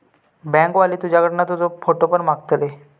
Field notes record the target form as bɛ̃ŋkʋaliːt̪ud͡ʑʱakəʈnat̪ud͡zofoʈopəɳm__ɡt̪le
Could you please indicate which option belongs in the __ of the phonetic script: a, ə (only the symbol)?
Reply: a